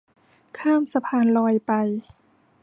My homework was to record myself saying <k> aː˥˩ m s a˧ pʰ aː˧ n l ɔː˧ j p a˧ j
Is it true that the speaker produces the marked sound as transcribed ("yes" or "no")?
no